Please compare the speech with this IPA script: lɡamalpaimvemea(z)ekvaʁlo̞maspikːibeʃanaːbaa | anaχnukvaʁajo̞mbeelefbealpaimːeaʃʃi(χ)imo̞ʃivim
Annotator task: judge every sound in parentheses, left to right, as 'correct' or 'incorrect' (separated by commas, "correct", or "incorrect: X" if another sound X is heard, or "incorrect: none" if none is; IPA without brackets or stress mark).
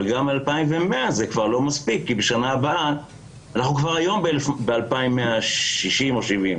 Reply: correct, incorrect: ʃ